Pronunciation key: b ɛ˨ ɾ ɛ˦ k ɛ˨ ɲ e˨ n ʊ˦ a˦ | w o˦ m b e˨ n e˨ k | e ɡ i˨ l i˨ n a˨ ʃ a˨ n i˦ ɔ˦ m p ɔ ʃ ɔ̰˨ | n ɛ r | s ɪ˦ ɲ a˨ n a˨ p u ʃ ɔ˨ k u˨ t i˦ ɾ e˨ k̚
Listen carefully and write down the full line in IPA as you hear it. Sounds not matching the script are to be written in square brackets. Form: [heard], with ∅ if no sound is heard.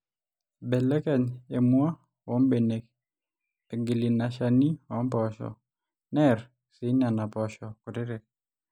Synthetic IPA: b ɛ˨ [l] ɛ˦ k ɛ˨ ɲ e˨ [m] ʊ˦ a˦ | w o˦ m b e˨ n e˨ k | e ɡ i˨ l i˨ n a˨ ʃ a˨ n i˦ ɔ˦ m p ɔ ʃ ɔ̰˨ | n ɛ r | s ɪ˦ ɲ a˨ n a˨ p [ɔ] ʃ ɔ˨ k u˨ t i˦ ɾ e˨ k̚